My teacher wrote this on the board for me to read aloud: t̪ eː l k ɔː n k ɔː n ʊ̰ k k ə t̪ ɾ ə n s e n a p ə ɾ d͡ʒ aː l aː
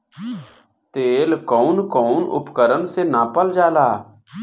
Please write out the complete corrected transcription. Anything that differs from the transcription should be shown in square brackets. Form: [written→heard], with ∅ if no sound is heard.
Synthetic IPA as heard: t̪ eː l k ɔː n k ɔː n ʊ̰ [k→p] k ə [t̪→∅] ɾ ə n s e n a p ə [ɾ→l] d͡ʒ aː l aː